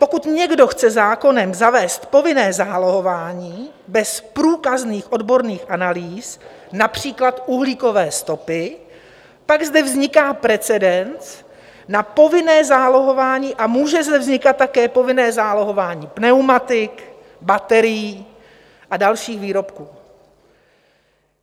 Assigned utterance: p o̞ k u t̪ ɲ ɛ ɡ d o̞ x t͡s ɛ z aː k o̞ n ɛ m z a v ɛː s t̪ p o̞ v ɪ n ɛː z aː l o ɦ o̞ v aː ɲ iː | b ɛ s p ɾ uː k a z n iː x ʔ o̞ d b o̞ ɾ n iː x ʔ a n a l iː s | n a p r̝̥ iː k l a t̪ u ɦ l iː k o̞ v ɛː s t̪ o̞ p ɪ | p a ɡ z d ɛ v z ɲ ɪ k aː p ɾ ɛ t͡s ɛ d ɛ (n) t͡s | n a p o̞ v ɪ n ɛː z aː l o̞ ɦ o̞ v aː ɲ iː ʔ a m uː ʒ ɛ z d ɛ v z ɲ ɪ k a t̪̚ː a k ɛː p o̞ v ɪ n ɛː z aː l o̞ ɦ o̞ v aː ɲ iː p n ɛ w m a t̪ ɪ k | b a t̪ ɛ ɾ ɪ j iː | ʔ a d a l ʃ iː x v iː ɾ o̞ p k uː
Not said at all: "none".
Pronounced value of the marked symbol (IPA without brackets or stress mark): n